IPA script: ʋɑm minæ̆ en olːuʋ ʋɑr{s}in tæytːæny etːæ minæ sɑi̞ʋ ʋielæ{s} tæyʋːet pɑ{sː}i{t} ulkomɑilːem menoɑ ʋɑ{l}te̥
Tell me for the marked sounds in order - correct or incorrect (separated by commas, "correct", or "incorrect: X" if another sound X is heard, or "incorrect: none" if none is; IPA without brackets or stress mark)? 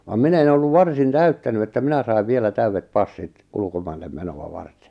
correct, incorrect: none, correct, correct, incorrect: r